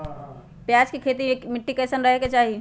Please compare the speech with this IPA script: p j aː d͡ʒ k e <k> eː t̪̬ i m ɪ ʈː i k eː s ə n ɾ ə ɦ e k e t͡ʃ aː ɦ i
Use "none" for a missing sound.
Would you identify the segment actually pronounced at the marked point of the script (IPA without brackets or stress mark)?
kʰ